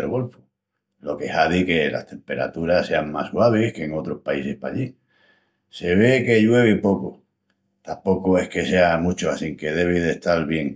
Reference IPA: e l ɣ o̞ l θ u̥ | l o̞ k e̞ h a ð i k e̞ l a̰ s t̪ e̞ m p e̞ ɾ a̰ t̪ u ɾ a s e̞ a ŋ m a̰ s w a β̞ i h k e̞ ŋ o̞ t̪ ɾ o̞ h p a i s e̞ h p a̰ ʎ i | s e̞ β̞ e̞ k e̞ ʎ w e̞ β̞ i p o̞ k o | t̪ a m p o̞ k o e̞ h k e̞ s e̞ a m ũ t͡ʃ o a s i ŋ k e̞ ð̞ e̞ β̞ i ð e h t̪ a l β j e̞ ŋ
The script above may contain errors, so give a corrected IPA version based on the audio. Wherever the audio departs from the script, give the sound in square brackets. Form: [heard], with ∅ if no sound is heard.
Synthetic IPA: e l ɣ o̞ l [f] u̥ | l o̞ k e̞ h a ð i k e̞ l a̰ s t̪ e̞ m p e̞ ɾ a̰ t̪ u ɾ a s e̞ a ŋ m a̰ s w a β̞ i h k e̞ ŋ o̞ t̪ ɾ o̞ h p a i s e̞ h p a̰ ʎ i | s e̞ β̞ e̞ k e̞ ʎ w e̞ β̞ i p o̞ k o | t̪ a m p o̞ k o e̞ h k e̞ s e̞ a m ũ t͡ʃ o a s i ŋ k e̞ ð̞ e̞ β̞ i ð e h t̪ a l β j e̞ ŋ

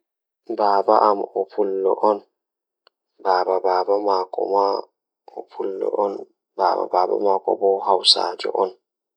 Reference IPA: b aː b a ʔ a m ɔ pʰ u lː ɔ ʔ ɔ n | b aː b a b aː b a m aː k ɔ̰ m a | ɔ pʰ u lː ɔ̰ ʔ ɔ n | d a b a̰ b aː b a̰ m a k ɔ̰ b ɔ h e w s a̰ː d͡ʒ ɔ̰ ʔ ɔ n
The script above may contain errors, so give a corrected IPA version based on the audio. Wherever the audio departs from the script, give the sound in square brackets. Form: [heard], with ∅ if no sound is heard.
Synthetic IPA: b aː b a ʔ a m ɔ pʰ u lː ɔ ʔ ɔ n | b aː b a b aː b a m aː k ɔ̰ m a | ɔ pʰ u lː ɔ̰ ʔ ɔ n | [b] a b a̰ b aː b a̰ m a k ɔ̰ b ɔ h [a] w s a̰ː d͡ʒ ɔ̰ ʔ ɔ n

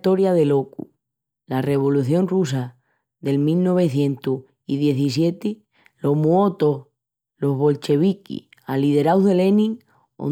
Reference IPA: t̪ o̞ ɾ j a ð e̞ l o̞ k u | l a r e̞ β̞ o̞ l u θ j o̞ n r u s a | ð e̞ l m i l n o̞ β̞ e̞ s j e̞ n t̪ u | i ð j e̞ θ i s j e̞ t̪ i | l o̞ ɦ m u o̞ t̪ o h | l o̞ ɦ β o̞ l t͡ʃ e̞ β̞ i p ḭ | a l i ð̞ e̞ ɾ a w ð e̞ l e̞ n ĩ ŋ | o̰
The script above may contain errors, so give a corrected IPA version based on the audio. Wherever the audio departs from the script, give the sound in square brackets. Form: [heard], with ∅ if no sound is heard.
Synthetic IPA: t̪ o̞ ɾ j a ð e̞ l o̞ k u | l a r e̞ β̞ o̞ l u θ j o̞ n r u s a | ð e̞ l m i l n o̞ β̞ e̞ [θ] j e̞ n t̪ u | i ð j e̞ θ i s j e̞ t̪ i | l o̞ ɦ m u o̞ t̪ o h | l o̞ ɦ β o̞ l t͡ʃ e̞ β̞ i [k] ḭ | a l i ð̞ e̞ ɾ a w ð e̞ l e̞ n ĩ ŋ | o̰

